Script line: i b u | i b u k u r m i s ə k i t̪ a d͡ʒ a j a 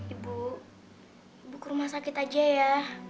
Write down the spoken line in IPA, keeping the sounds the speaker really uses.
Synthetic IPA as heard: i b u | i b u k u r m a s a k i t̪ a d͡ʒ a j a